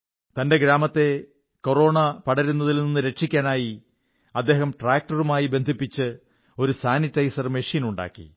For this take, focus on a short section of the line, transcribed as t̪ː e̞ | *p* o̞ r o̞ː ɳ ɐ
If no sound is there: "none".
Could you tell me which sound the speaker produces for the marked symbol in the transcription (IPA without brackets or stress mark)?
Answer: k